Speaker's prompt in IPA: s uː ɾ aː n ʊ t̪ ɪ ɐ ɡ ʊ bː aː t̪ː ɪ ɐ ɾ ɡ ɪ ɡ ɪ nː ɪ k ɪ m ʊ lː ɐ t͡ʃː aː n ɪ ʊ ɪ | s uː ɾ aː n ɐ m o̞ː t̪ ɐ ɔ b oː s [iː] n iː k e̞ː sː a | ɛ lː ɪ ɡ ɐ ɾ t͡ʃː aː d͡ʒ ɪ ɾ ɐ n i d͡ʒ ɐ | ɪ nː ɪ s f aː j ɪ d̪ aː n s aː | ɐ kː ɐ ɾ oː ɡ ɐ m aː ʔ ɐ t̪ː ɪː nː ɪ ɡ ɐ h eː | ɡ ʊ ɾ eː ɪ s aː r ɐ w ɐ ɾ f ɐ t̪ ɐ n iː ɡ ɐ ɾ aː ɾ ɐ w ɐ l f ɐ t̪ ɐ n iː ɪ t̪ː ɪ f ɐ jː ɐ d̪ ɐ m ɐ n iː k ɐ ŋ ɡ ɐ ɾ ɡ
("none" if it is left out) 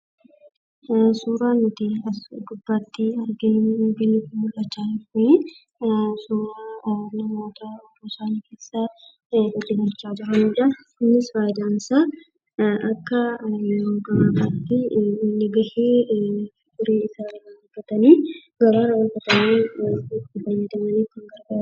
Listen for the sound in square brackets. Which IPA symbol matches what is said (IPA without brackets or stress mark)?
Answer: aː